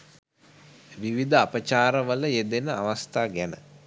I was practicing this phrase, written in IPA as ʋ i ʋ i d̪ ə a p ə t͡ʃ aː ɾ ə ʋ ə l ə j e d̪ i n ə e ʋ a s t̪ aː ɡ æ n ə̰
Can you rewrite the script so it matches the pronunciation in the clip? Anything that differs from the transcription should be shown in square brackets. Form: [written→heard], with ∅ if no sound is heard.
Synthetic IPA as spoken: ʋ i ʋ i d̪ ə a p ə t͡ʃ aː ɾ ə ʋ ə l ə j e d̪ [i→e] n ə [e→a] ʋ a s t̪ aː ɡ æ n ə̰